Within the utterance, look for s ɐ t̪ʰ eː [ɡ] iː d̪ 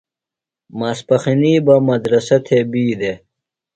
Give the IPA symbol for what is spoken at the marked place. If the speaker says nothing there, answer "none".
b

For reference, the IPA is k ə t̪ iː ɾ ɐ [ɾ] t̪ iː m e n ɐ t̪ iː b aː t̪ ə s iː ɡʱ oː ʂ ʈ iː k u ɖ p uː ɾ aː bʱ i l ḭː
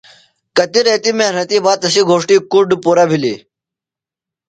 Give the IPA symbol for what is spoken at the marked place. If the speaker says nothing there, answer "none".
none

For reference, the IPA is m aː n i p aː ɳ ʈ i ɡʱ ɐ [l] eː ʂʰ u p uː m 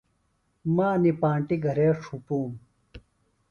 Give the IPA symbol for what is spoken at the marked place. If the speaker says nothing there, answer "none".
ɾ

